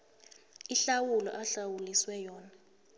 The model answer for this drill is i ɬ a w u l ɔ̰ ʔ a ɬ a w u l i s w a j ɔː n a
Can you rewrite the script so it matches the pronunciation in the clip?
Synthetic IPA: i ɬ a w u l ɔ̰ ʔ a ɬ a w u l i s w ɛ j ɔː n a